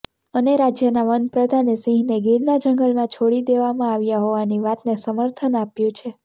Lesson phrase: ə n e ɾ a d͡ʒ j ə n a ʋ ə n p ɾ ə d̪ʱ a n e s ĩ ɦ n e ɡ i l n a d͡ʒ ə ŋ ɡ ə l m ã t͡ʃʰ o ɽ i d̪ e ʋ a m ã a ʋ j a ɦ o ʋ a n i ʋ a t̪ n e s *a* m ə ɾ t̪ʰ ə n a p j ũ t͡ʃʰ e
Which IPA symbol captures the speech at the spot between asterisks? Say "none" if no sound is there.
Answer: ə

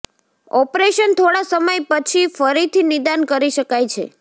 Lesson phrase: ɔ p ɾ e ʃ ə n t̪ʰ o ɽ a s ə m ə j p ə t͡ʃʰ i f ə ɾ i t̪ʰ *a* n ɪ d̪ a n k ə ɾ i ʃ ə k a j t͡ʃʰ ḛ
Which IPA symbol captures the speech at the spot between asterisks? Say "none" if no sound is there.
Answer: i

